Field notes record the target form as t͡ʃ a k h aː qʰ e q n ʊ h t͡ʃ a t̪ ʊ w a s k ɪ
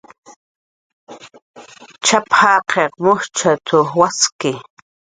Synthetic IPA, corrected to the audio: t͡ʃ a p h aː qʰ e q m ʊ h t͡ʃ a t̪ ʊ w a s k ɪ